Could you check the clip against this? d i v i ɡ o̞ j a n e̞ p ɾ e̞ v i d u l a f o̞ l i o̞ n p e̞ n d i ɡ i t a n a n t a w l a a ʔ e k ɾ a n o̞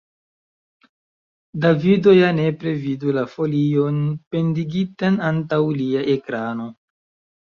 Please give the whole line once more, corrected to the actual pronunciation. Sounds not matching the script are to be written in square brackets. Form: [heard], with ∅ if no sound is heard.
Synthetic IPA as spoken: d [a] v i [d] o̞ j a n e̞ p ɾ e̞ v i d u l a f o̞ l i o̞ n p e̞ n d i ɡ i t a n a n t a w l [i] a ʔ e k ɾ a n o̞